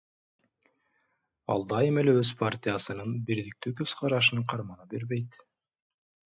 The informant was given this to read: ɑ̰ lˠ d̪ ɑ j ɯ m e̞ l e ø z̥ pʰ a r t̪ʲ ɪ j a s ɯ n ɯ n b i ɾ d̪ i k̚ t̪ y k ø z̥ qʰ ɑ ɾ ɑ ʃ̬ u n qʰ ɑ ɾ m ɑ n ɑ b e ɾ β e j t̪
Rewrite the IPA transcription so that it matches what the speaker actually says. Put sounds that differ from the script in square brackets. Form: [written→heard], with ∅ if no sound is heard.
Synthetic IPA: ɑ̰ lˠ d̪ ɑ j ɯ m e̞ l e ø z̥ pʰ a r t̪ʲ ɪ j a s ɯ n ɯ n b i ɾ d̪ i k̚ t̪ y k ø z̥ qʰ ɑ ɾ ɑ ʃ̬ [u→ɯ] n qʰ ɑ ɾ m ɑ n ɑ b e ɾ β e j t̪